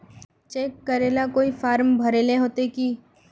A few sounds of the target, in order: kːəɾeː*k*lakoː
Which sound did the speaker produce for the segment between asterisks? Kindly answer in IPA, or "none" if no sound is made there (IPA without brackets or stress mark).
none